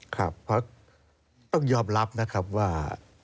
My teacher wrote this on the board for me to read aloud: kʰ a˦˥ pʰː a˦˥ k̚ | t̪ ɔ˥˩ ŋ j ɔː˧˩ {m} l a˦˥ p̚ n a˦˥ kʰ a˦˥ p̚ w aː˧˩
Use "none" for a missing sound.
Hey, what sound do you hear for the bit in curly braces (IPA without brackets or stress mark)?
m